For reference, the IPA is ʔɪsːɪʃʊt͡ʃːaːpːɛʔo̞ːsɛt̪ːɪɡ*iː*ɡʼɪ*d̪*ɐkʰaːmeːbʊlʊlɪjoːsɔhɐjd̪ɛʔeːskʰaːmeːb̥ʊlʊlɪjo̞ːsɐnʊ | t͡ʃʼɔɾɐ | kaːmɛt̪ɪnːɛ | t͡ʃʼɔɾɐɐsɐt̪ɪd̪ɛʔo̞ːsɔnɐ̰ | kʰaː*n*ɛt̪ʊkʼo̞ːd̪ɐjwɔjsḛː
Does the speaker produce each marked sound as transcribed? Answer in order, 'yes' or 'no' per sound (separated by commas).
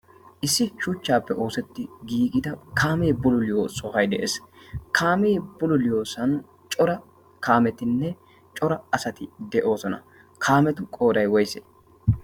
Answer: yes, yes, no